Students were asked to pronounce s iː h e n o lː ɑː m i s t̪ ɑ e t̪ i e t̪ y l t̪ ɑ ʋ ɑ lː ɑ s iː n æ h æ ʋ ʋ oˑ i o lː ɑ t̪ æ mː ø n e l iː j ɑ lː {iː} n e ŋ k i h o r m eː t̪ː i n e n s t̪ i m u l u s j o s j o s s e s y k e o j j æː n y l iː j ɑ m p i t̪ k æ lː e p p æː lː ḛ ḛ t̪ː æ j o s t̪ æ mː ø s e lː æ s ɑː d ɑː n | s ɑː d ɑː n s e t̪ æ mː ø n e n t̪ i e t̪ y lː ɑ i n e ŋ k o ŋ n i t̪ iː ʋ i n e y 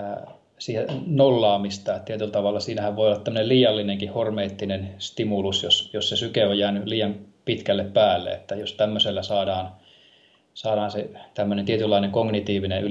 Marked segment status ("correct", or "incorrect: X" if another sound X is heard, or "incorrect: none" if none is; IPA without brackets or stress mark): incorrect: i